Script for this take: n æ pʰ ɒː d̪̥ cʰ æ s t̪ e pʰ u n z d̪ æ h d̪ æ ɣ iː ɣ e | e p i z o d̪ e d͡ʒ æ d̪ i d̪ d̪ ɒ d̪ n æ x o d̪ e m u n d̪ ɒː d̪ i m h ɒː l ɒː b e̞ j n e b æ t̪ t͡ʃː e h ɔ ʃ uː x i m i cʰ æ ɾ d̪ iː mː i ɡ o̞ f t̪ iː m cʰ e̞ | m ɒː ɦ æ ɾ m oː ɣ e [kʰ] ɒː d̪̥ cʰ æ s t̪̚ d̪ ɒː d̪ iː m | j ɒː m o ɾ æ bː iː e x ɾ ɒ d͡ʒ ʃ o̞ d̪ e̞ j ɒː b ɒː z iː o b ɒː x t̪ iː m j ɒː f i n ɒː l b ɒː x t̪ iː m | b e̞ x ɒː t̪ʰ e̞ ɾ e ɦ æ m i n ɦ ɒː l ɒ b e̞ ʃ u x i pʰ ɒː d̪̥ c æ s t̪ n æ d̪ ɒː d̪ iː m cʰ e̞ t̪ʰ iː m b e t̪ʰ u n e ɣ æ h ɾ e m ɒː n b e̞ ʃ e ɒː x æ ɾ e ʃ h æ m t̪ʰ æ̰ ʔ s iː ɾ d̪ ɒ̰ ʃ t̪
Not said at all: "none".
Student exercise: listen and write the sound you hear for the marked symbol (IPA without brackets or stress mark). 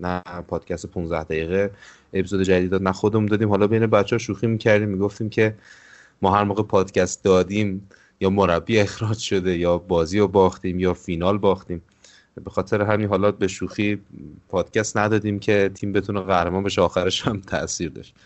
pʰ